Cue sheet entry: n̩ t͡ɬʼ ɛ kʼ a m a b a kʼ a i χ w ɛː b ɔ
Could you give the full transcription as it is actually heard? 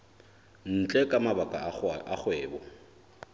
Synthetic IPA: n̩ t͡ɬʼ ɛ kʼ a m a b a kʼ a a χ w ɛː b ɔ